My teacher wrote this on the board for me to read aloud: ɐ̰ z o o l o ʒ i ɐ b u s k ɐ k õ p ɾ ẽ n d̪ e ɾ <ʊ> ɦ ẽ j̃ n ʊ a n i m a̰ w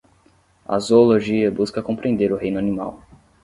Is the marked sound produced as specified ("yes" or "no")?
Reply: yes